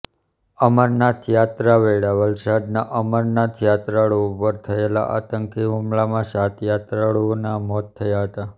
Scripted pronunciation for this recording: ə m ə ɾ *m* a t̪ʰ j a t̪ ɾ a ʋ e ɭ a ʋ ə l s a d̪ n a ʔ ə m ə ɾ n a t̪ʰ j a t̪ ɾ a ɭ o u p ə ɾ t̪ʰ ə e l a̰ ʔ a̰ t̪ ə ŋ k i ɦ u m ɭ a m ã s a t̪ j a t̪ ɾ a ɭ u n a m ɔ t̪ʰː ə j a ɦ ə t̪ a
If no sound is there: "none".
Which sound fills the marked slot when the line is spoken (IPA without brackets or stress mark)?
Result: n